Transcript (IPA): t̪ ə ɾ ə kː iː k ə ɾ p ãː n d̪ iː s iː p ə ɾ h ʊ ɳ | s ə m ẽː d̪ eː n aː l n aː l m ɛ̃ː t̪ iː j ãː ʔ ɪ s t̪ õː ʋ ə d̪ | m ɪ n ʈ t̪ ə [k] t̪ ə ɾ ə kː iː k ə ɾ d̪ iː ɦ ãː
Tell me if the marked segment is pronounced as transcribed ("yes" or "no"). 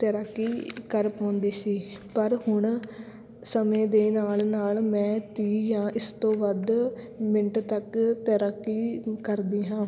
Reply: yes